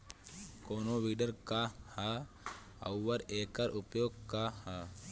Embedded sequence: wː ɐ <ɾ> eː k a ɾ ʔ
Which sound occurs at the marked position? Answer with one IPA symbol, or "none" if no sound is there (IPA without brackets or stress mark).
ɾ